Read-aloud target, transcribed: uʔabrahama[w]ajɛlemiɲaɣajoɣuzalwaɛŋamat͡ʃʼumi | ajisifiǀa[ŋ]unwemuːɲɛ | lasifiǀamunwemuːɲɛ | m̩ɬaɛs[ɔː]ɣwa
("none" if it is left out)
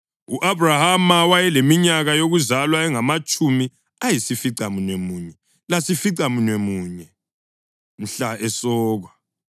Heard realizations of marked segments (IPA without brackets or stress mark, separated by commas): w, m, ɔː